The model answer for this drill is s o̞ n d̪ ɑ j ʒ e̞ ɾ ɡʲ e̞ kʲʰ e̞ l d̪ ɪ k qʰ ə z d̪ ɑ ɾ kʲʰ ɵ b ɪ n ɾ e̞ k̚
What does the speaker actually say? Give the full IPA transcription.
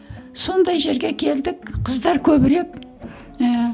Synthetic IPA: s o̞ n d̪ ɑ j ʒ e̞ ɾ ɡʲ e̞ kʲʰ e̞ l d̪ ɪ k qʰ ə z d̪ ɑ ɾ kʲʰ ɵ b ɪ ɾ e̞ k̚